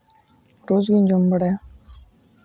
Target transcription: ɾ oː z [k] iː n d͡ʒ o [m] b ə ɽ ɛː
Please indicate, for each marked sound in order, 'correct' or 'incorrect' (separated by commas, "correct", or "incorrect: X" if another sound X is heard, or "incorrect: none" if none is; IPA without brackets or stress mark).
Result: incorrect: ɡ, correct